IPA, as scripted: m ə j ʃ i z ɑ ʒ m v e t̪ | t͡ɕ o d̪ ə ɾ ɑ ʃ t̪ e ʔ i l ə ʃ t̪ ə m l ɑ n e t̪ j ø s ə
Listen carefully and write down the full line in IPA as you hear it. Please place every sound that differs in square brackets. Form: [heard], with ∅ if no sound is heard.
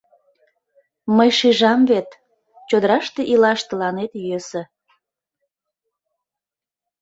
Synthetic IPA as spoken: m ə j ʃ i [ʒ] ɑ [∅] m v e t̪ | t͡ɕ o d̪ ə ɾ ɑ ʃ t̪ e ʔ i l [ɑ] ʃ t̪ ə [∅] l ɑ n e t̪ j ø s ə